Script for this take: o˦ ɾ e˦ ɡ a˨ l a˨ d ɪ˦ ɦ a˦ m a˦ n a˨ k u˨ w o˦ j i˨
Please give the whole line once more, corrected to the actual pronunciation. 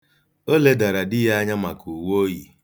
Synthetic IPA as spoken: o˦ l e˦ d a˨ ɾ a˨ d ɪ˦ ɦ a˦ ɲ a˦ m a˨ k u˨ w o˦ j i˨